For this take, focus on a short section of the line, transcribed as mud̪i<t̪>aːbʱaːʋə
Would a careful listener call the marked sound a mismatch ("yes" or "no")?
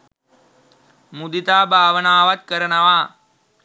no